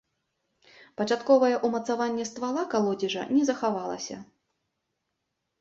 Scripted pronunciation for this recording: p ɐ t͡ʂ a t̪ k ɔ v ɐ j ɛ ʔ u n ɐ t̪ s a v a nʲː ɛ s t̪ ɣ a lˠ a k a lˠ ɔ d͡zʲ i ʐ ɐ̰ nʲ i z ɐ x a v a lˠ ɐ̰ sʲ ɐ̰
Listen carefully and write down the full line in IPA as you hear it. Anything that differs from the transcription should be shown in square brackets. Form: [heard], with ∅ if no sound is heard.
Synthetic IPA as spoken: p ɐ t͡ʂ a t̪ k ɔ v ɐ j ɛ ʔ u [m] ɐ t̪ s a v a nʲː ɛ s t̪ [v] a lˠ a k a lˠ ɔ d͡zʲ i ʐ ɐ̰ nʲ [ɛ] z ɐ x a v a lˠ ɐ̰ sʲ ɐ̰

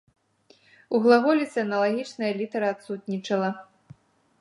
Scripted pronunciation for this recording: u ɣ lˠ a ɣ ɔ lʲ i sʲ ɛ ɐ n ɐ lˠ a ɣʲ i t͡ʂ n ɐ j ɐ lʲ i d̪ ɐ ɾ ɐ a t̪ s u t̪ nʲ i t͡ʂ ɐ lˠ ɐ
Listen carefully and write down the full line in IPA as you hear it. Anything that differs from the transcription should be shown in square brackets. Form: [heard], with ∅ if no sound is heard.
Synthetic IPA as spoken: u ɣ lˠ a ɣ ɔ lʲ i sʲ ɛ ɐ n ɐ lˠ a ɣʲ i t͡ʂ n ɐ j ɐ lʲ i [t̪] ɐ ɾ ɐ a t̪ s u t̪ nʲ i t͡ʂ ɐ lˠ ɐ

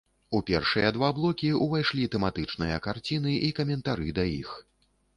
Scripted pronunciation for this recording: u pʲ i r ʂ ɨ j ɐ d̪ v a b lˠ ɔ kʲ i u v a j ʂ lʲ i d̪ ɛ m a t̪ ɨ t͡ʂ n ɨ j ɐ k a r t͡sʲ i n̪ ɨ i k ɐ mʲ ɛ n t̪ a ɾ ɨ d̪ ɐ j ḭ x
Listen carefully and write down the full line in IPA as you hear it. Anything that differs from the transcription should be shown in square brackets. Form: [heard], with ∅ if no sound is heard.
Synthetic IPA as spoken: u pʲ [ɛ] r ʂ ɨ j ɐ d̪ v a b lˠ ɔ kʲ i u v a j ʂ lʲ i [t̪] ɛ m a t̪ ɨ t͡ʂ n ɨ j ɐ k a r t͡sʲ i n̪ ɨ i k ɐ mʲ ɛ n t̪ a ɾ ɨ d̪ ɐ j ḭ x

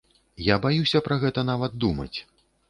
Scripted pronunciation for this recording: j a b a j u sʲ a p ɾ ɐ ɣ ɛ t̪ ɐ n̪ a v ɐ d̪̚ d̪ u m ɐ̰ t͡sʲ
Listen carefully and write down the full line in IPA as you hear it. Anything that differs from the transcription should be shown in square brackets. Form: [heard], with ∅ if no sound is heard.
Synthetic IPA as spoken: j a b a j u sʲ [ɐ] p ɾ ɐ ɣ ɛ t̪ ɐ n̪ a v ɐ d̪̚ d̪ u m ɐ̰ t͡sʲ

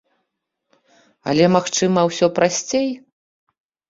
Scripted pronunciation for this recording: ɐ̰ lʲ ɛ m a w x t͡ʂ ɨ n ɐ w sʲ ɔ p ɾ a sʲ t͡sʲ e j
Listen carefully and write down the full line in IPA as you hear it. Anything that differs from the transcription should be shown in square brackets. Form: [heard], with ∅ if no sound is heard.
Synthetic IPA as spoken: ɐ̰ lʲ ɛ m a [∅] x t͡ʂ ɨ [m] ɐ w sʲ ɔ p ɾ a sʲ t͡sʲ e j

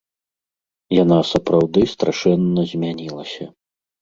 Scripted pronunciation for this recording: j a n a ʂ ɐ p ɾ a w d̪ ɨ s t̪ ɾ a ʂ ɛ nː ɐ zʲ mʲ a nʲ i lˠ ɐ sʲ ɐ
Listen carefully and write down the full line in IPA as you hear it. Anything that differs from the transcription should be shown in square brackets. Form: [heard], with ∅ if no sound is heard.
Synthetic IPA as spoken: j a n a [s] ɐ p ɾ a w d̪ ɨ s t̪ ɾ a ʂ ɛ nː ɐ zʲ mʲ a nʲ i lˠ ɐ sʲ ɐ

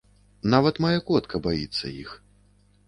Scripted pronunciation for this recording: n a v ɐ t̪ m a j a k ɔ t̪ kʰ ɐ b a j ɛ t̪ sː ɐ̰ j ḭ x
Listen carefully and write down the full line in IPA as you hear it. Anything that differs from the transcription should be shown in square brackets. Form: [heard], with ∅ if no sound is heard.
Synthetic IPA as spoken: n a v ɐ t̪ m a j a k ɔ t̪ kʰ ɐ b a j [i] t̪ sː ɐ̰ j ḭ x

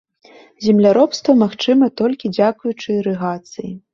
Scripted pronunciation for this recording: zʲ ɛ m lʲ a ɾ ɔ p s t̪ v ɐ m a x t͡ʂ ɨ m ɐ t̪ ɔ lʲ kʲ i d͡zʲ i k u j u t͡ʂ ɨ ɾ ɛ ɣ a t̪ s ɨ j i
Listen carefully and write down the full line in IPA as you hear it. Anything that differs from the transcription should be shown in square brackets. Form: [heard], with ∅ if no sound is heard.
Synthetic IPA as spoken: zʲ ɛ m lʲ a ɾ ɔ p s t̪ v ɐ m a x t͡ʂ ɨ m ɐ t̪ ɔ lʲ kʲ i d͡zʲ [a] k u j u t͡ʂ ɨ ɾ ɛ ɣ a t̪ s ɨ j i

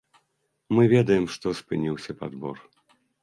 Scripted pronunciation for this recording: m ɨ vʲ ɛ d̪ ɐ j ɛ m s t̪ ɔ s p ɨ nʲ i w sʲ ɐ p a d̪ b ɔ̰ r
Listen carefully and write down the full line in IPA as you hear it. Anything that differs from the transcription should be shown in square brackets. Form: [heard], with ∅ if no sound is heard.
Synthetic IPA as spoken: m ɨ vʲ ɛ d̪ ɐ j ɛ m [ʂ] t̪ ɔ s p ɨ nʲ i w sʲ ɐ p a d̪ b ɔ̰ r

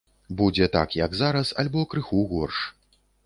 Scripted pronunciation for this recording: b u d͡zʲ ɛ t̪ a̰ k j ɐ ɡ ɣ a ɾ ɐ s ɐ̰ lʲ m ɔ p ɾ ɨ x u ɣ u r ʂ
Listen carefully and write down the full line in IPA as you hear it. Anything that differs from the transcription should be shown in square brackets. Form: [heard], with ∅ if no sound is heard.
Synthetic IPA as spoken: b u d͡zʲ ɛ t̪ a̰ k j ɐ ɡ [z] a ɾ ɐ s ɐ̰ lʲ [b] ɔ [k] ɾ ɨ x u ɣ [ɔ] r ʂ

